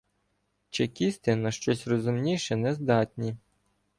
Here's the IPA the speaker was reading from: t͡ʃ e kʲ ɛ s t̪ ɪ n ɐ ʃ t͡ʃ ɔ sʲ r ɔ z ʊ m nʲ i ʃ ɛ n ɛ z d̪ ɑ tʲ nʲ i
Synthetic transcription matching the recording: t͡ʃ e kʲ i s t̪ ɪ n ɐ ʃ t͡ʃ ɔ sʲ r ɔ z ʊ m nʲ i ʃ ɛ n ɛ z d̪ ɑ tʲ nʲ i